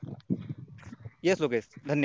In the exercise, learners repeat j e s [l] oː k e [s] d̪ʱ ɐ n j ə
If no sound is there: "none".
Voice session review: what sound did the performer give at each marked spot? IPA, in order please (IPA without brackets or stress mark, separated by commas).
l, s